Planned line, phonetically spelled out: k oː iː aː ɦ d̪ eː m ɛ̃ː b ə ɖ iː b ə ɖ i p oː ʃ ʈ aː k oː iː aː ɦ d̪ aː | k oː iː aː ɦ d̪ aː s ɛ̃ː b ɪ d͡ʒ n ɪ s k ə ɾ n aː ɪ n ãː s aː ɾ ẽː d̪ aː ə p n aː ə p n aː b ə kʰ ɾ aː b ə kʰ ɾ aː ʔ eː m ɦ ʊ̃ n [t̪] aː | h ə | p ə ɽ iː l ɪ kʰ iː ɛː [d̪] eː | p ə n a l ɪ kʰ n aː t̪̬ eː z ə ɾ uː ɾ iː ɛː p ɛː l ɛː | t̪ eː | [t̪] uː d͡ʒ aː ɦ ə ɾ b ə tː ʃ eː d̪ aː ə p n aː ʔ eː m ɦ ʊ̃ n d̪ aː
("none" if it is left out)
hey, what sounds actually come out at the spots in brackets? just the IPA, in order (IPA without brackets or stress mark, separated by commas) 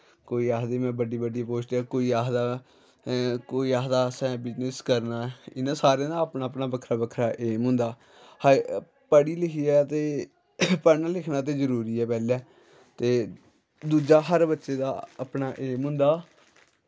d̪, t̪, d̪